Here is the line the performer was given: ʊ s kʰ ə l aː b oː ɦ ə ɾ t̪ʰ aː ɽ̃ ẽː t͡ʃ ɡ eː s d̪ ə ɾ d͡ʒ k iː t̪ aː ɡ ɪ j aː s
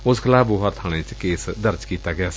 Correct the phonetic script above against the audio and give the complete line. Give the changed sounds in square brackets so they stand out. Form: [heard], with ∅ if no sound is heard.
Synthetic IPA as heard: ʊ s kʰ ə l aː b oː ɦ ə ɾ t̪ʰ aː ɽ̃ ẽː t͡ʃ [k] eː s d̪ ə ɾ d͡ʒ k iː t̪ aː ɡ ɪ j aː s